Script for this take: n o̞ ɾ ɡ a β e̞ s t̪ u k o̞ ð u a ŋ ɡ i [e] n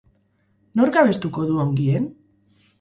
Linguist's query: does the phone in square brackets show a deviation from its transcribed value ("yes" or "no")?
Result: no